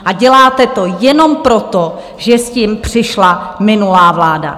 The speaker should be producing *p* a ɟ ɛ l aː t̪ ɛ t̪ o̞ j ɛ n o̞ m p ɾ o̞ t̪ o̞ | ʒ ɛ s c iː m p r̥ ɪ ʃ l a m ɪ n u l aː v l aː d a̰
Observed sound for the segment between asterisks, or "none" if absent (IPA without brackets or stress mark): ʔ